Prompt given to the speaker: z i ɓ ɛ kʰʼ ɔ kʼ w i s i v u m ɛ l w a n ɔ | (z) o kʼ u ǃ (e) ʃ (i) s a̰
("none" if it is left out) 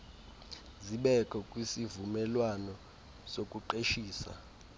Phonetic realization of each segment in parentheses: s, e, iː

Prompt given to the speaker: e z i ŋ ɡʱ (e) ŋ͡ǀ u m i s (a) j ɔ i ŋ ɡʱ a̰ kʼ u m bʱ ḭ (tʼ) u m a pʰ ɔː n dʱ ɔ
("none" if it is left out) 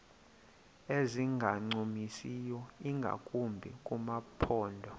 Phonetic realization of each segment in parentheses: a, i, kʼ

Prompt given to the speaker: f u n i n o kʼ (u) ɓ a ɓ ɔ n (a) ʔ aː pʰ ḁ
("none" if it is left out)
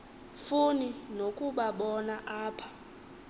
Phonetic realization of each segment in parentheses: u, a

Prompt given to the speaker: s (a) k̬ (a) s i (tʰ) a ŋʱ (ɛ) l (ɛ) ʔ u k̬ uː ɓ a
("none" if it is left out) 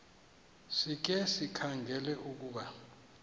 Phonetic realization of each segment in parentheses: i, ɛ, kʰ, ɛ, ɛ

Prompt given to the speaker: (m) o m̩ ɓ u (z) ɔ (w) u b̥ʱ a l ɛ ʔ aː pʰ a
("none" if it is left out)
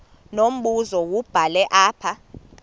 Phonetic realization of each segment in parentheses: n, z, w

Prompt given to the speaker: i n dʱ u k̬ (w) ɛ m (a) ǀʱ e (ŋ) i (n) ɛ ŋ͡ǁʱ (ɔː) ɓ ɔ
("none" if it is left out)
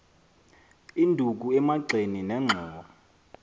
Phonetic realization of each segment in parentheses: u, a, n, n, ɔː

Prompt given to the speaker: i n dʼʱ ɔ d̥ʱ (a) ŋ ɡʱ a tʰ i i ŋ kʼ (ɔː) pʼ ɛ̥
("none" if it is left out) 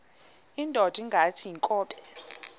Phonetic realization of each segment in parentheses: i, ɔː

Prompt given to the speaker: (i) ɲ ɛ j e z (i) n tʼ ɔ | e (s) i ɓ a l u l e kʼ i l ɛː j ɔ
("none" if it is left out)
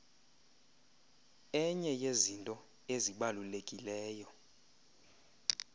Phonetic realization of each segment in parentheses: ɛ, i, z

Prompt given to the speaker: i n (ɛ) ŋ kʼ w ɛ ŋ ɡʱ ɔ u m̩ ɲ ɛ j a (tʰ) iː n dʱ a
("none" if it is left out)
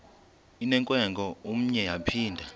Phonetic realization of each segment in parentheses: ɛ, pʰ

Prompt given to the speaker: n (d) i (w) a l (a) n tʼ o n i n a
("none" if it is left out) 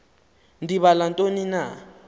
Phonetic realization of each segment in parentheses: d, β, a

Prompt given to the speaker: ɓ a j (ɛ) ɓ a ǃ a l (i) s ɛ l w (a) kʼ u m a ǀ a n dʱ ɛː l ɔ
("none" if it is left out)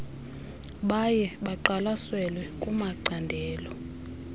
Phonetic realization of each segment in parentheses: ɛ, a, ɛ

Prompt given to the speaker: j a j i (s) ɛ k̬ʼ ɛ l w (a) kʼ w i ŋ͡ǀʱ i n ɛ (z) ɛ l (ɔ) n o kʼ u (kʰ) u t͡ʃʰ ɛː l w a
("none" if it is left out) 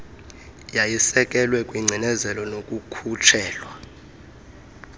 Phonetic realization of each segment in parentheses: s, ɛ, z, ɔ, kʰ

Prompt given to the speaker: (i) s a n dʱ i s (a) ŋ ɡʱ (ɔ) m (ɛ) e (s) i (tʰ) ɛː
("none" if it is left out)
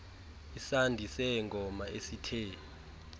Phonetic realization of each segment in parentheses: i, ɛ, ɔ, a, s, tʰ

